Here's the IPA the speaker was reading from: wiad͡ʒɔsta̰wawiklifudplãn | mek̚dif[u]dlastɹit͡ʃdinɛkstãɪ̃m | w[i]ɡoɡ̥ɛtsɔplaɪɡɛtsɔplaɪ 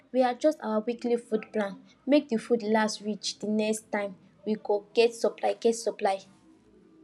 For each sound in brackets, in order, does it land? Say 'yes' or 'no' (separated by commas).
yes, yes